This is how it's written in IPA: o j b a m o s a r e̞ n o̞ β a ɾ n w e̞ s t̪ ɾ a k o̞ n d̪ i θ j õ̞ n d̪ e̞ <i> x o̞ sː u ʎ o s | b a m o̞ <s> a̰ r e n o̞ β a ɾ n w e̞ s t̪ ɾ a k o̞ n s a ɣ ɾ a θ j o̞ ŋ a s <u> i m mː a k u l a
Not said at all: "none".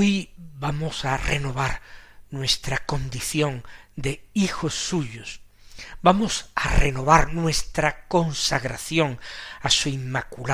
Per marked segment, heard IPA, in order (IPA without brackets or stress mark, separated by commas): i, s, u